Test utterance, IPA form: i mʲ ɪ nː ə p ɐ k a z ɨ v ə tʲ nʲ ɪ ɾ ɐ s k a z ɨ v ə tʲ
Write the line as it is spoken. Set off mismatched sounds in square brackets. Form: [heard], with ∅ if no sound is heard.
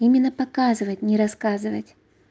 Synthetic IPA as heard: i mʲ ɪ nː ə p ɐ k a z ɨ v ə tʲ nʲ ɪ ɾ ɐ s k a z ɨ v ə tʲ